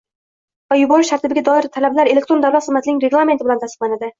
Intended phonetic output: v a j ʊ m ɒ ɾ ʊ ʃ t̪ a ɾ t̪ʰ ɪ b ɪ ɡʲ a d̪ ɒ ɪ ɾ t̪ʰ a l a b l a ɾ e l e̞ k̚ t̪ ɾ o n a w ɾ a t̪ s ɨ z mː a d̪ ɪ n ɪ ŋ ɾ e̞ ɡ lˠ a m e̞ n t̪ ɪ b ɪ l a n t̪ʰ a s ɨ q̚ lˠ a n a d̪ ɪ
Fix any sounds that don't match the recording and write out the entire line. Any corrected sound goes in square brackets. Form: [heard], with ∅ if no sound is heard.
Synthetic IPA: v a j ʊ [b] ɒ ɾ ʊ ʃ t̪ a ɾ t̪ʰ ɪ b ɪ ɡʲ a d̪ ɒ ɪ ɾ t̪ʰ a l a b l a ɾ e l e̞ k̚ t̪ ɾ o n a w [l] a t̪ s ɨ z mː a [t̪] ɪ n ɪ ŋ ɾ e̞ ɡ lˠ a m e̞ n t̪ ɪ b ɪ l a n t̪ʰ a s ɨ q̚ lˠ a n a d̪ ɪ